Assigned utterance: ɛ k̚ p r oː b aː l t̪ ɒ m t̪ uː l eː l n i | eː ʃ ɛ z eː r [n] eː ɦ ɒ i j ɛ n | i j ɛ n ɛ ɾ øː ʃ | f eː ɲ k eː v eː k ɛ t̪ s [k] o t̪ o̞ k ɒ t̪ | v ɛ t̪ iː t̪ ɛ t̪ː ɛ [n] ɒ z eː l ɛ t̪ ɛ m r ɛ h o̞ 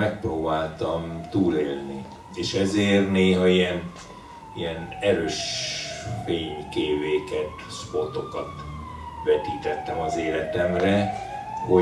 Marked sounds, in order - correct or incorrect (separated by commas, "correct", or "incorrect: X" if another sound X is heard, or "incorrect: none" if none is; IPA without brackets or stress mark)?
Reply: correct, incorrect: p, incorrect: m